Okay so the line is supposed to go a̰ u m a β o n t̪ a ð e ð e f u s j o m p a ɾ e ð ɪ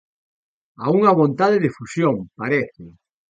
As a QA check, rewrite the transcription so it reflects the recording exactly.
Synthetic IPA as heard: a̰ u ŋ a β o n t̪ a ð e ð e f u s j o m p a ɾ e θ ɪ